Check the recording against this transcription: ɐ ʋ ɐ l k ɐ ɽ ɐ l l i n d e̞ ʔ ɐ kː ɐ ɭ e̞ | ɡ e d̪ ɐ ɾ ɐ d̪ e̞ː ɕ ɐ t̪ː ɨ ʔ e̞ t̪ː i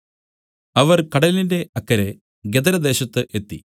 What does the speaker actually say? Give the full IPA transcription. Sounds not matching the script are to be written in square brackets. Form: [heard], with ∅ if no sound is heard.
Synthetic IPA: ɐ ʋ ɐ [r] k ɐ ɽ ɐ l l i n d e̞ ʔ ɐ kː ɐ [ɾ] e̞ | ɡ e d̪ ɐ ɾ ɐ d̪ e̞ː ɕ ɐ t̪ː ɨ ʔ e̞ t̪ː i

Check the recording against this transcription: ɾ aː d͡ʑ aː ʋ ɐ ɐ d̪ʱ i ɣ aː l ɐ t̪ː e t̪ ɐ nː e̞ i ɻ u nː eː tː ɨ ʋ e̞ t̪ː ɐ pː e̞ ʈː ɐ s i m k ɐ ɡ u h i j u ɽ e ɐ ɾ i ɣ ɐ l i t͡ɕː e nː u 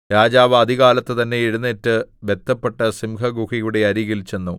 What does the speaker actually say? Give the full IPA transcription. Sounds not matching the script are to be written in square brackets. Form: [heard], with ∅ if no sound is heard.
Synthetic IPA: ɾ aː d͡ʑ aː ʋ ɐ ɐ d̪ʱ i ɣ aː l ɐ t̪ː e t̪ ɐ nː e̞ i ɻ u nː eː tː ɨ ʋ e̞ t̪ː ɐ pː e̞ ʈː ɐ s i m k ɐ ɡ u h i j u ɽ e ɐ ɾ i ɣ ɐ l i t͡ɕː e nː u

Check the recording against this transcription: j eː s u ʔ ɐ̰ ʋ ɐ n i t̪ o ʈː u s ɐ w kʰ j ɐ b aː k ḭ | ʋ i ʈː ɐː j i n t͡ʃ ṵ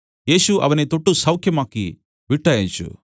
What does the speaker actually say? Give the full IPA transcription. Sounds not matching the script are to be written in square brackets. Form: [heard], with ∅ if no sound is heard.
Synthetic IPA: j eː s u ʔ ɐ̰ ʋ ɐ n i t̪ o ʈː u s ɐ w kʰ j ɐ [m] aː k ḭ | ʋ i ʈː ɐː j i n t͡ʃ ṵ

